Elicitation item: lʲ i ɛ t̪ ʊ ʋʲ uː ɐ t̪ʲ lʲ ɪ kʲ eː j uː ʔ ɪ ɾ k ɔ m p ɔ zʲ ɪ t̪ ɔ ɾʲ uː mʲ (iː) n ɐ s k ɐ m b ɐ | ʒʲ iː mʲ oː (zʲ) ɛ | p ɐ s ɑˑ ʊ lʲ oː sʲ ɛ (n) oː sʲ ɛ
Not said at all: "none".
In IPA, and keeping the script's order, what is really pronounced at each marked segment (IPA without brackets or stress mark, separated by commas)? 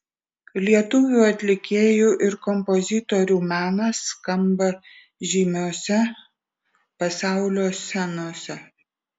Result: æː, sʲ, n